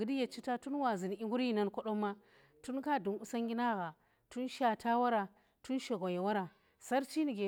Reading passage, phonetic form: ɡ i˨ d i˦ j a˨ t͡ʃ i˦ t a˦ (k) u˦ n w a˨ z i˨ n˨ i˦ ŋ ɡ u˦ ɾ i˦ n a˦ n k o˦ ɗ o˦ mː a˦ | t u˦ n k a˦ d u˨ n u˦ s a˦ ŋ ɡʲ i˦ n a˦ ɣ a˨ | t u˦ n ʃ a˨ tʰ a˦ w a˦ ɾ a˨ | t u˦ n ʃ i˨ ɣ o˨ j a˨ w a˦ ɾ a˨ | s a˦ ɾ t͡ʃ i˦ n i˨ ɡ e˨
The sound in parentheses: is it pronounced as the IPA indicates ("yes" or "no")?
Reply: no